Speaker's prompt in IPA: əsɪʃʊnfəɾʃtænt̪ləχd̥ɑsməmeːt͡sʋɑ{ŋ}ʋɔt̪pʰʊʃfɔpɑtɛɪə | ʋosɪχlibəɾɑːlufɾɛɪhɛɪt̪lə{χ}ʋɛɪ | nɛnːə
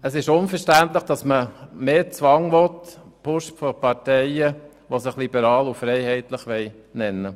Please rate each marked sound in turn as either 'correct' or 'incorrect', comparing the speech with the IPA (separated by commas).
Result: correct, correct